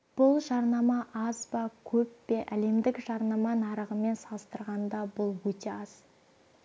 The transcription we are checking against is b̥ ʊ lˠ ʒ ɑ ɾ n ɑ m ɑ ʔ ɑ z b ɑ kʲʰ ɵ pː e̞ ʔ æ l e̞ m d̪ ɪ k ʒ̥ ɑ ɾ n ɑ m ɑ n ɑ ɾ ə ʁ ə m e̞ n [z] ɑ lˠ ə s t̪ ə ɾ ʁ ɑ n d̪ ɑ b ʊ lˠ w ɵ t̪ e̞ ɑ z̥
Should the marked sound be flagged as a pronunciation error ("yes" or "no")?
yes